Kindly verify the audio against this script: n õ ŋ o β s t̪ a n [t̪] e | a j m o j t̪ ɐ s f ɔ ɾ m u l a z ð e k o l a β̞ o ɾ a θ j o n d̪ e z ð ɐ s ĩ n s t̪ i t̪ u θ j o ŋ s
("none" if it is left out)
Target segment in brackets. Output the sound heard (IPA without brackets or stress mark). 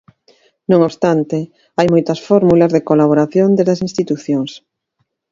t̪